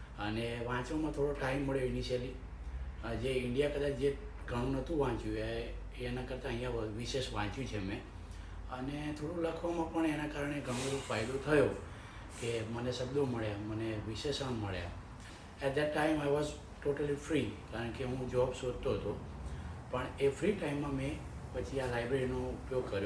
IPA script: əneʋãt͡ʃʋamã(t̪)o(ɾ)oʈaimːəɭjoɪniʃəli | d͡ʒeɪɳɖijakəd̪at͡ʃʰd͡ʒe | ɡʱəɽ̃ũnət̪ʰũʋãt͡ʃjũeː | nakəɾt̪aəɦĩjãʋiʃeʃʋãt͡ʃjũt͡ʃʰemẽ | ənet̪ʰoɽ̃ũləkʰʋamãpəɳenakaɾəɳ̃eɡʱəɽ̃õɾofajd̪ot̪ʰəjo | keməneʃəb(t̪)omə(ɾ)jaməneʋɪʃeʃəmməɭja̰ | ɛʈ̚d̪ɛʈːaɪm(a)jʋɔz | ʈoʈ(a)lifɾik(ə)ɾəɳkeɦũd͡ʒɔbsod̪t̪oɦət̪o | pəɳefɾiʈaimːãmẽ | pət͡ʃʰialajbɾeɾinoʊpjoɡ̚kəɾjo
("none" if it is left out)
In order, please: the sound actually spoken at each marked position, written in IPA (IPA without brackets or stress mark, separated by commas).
t̪ʰ, ɽ, d̪, ɭ, a, ə, a